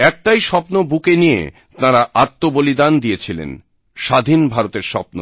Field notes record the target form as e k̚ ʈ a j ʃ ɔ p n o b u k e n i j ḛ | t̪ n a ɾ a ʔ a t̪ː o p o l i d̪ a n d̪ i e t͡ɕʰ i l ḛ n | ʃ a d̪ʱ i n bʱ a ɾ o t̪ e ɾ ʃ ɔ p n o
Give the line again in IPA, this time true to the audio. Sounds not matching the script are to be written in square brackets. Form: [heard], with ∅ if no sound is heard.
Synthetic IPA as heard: [ɛ] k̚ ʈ a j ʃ ɔ p n o b u k e n i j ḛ | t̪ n a ɾ a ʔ a t̪ː o [b] o l i d̪ a n d̪ i e t͡ɕʰ i l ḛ n | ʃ a d̪ʱ i n bʱ a ɾ o t̪ e ɾ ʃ ɔ p n o